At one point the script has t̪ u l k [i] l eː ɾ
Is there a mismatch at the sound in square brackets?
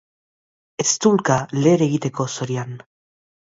yes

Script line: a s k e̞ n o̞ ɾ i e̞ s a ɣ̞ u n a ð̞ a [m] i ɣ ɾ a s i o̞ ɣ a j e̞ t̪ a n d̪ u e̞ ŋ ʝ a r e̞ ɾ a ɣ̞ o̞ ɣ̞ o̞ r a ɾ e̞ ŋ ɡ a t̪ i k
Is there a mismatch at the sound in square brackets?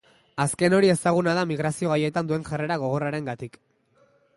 no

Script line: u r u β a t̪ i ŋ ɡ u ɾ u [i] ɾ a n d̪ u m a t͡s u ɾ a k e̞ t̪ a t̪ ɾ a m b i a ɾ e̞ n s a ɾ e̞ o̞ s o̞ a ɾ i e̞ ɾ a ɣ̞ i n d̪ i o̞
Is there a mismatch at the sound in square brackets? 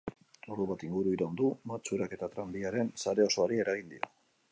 no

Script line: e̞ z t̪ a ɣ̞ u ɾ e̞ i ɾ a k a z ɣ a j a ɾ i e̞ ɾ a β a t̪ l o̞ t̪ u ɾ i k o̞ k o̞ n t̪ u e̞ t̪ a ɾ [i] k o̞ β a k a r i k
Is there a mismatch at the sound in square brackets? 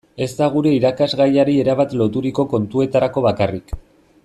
yes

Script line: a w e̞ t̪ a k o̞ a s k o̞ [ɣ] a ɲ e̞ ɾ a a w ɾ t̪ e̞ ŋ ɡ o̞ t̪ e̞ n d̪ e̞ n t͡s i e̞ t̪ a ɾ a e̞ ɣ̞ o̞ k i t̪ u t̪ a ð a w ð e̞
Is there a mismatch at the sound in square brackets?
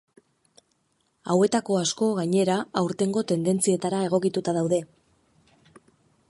no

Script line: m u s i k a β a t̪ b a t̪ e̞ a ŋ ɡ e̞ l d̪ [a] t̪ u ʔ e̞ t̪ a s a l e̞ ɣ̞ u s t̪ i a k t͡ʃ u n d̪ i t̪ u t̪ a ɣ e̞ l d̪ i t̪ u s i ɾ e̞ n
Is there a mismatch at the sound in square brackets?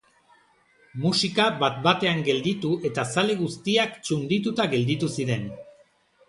yes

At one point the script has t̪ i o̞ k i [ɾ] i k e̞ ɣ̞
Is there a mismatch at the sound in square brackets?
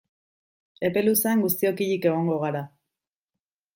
yes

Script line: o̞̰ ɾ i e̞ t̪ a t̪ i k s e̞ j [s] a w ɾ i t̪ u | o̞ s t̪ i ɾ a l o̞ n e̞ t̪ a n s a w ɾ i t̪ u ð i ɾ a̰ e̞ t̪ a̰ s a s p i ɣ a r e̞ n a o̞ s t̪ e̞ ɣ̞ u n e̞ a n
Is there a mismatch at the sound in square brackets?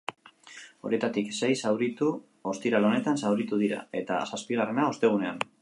no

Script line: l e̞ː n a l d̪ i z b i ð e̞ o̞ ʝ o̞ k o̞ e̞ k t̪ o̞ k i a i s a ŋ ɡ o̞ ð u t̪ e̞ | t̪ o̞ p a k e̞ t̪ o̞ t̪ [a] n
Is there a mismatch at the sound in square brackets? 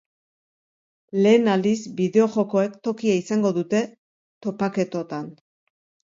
no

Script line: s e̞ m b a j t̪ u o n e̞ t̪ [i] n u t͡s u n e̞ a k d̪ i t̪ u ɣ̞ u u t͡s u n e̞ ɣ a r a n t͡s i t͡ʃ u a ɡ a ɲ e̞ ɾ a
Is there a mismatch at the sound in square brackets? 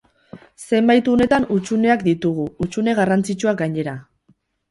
yes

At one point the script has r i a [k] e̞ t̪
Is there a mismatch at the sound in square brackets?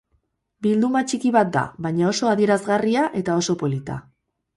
yes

